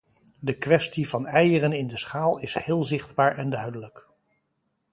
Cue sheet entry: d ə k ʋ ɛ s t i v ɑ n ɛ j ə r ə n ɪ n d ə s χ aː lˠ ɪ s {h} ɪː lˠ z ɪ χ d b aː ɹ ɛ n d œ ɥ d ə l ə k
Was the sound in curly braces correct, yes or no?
yes